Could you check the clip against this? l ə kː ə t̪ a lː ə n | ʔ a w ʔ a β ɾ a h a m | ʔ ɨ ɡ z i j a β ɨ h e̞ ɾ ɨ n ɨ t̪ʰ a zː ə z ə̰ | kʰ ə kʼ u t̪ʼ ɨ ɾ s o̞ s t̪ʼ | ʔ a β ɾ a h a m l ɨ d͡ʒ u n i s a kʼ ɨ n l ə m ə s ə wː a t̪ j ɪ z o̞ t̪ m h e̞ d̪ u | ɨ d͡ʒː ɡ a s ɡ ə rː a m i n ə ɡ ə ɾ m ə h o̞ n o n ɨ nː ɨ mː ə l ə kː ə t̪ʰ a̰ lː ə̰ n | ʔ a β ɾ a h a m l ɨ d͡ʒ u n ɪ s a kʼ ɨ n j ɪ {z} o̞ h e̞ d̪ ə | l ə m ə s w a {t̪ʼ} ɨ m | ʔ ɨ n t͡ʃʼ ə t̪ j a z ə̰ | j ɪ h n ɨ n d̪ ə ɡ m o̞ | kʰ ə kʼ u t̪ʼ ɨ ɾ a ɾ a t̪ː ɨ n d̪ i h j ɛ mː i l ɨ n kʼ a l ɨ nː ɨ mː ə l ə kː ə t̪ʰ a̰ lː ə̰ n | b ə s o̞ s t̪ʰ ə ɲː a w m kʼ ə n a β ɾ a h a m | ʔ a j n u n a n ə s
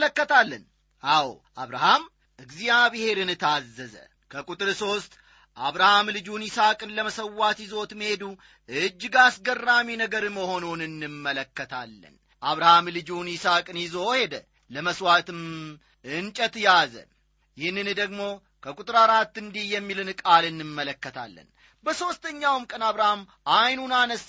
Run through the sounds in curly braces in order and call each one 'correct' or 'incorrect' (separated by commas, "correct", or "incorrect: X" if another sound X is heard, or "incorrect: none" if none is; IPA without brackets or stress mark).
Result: correct, incorrect: t̪